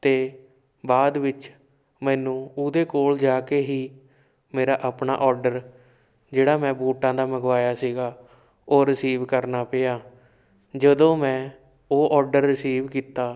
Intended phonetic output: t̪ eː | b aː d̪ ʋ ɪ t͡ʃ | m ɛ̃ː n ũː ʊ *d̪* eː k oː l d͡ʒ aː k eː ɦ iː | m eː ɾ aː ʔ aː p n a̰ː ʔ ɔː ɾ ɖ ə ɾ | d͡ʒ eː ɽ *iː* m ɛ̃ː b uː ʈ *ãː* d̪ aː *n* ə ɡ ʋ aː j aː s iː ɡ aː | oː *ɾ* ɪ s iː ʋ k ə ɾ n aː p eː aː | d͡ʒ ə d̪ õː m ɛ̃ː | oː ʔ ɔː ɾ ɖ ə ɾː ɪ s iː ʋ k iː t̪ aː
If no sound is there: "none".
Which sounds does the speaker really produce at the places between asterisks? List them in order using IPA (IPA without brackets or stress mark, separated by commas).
d̪, aː, ãː, m, ɾ